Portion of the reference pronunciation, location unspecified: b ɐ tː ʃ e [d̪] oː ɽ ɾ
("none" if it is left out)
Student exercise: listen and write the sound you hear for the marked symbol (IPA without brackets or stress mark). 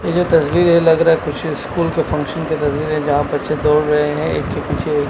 d̪